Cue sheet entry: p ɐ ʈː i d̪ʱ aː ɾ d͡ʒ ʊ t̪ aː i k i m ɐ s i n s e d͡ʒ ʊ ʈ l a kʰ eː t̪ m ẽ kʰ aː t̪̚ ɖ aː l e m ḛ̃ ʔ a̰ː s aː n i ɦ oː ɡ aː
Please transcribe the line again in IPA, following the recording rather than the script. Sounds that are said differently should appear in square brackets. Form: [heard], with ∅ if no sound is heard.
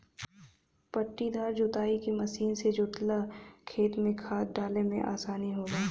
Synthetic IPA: p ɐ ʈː i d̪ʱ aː ɾ d͡ʒ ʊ t̪ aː i k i m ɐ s [iː] n s e d͡ʒ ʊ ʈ l a kʰ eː t̪ m ẽ kʰ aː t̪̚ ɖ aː l e m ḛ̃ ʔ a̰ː s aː n i ɦ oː ɡ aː

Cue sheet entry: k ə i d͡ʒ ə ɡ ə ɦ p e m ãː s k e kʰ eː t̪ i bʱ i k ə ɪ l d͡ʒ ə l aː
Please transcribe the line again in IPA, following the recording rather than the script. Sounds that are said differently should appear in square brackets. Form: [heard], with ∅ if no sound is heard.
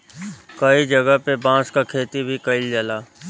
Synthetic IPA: k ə i d͡ʒ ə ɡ ə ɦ p e [b] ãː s k [a] kʰ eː t̪ i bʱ i k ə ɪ l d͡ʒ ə l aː

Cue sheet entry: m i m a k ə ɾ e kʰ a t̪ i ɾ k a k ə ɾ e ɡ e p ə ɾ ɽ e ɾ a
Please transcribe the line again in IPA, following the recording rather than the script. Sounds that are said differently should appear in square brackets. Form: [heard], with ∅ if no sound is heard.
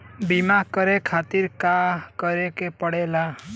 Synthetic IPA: [b] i m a k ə ɾ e kʰ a t̪ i ɾ k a k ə ɾ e [k] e p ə [∅] ɽ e [l] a

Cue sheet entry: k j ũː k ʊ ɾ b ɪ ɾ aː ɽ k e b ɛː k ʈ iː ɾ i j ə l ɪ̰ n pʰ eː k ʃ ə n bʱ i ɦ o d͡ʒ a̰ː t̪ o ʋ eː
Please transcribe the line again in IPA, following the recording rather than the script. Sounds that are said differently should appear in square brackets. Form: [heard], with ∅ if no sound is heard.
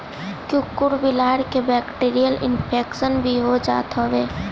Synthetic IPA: k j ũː k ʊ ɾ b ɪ [l] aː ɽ k e b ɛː k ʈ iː ɾ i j ə l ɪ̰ n pʰ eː k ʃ ə n bʱ i ɦ o d͡ʒ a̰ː t̪ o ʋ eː

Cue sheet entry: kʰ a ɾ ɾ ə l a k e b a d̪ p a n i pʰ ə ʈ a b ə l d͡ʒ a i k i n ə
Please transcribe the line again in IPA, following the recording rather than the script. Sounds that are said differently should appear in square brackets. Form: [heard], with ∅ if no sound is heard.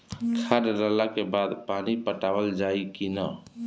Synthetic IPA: kʰ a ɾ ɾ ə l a k e b a d̪ p a n i [p] ə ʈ a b ə l d͡ʒ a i k i n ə

